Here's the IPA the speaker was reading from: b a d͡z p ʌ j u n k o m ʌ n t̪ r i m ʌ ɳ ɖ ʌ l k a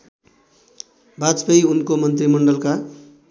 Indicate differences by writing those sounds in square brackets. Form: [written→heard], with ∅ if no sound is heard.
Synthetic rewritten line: b a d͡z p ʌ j u n k o m ʌ n t̪ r i m ʌ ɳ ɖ ʌ l k a